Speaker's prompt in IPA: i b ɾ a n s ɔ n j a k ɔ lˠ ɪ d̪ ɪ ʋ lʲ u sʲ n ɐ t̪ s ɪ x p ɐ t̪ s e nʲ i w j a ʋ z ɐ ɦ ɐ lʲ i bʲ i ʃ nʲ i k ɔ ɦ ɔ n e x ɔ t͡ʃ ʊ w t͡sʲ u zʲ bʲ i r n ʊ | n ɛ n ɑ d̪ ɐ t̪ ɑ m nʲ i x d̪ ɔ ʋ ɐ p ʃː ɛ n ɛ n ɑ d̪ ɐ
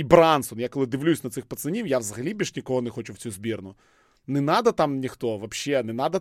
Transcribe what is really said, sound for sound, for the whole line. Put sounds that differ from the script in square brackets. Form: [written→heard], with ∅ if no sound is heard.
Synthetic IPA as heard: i b ɾ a n s ɔ n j a k ɔ lˠ ɪ d̪ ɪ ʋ lʲ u sʲ n ɐ t̪ s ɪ x p ɐ t̪ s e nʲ i w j a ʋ z ɐ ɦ ɐ lʲ i bʲ i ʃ nʲ i k ɔ ɦ ɔ n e x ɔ t͡ʃ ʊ w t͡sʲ u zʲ bʲ i r n ʊ | n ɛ n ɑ d̪ ɐ t̪ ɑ m nʲ i x [d̪→t̪] ɔ ʋ ɐ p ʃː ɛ n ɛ n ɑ d̪ ɐ